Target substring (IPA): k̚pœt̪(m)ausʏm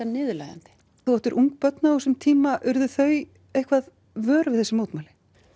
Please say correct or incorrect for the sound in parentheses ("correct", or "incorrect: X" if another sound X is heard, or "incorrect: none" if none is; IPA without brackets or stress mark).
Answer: incorrect: n